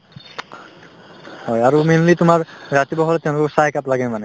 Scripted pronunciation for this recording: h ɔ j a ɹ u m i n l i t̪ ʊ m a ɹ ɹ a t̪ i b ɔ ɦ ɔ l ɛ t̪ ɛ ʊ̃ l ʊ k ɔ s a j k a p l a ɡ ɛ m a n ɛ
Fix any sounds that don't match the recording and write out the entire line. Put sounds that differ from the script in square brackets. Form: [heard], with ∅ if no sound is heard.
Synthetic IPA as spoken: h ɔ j a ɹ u m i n l i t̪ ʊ m a ɹ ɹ a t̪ i b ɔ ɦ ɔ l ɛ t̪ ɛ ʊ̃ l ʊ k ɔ s a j k a p l a ɡ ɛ m a n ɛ